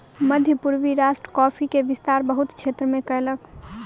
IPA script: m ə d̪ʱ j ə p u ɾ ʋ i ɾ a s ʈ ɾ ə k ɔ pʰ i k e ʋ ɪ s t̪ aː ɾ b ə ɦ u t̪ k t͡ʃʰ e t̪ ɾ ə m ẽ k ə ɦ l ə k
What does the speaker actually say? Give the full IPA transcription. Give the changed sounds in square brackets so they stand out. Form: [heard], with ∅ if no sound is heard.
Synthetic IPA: m ə d̪ʱ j ə p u ɾ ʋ i ɾ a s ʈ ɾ ə k ɔ pʰ i k e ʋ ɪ s t̪ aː ɾ b ə ɦ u t̪ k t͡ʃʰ e t̪ ɾ ə m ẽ k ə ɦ l ə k